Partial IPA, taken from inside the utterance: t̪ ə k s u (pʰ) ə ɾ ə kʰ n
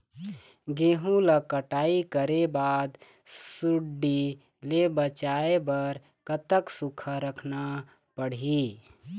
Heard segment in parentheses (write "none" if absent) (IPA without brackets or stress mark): kʰ